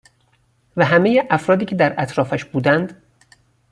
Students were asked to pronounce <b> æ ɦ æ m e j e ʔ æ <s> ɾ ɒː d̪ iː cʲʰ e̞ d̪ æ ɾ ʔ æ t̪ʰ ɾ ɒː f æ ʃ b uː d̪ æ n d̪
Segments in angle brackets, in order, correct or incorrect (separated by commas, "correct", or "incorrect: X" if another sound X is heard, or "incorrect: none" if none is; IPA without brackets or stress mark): incorrect: v, incorrect: f